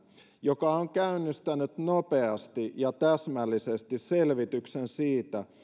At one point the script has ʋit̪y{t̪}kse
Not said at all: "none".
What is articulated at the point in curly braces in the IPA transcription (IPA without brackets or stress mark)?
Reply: none